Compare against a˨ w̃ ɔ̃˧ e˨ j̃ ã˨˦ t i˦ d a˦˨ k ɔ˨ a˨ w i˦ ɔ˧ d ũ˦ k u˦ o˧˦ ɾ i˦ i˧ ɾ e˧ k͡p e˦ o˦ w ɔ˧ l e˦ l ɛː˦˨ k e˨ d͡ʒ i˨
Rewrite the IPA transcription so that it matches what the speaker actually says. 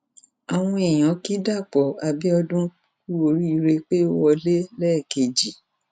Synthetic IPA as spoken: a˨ w̃ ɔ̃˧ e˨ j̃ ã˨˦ k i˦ d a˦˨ k͡p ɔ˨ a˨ b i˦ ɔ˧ d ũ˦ k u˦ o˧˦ ɾ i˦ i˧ ɾ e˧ k͡p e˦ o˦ w ɔ˧ l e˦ l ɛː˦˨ k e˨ d͡ʒ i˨